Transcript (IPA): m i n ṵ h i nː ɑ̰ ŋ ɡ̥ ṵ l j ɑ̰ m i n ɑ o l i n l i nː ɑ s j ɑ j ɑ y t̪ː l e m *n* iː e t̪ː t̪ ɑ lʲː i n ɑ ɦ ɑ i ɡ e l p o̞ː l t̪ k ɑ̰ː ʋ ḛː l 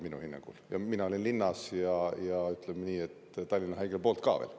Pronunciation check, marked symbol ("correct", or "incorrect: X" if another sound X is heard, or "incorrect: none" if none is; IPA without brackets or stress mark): correct